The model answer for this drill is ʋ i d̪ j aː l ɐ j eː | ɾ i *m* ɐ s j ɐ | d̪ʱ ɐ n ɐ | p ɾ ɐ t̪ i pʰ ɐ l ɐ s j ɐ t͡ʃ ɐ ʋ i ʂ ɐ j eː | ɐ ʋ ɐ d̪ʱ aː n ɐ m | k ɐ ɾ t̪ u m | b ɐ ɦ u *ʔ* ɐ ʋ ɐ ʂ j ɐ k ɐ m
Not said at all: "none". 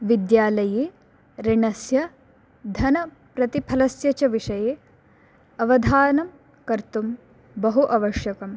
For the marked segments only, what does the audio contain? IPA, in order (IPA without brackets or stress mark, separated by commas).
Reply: ɳ, ʔ